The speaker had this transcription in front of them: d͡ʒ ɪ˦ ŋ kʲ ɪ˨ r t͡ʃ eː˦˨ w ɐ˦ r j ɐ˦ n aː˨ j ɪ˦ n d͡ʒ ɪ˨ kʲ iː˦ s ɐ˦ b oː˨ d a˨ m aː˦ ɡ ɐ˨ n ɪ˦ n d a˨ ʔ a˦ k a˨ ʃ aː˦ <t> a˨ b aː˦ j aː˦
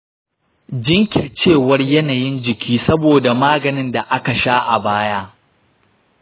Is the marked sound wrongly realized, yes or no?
yes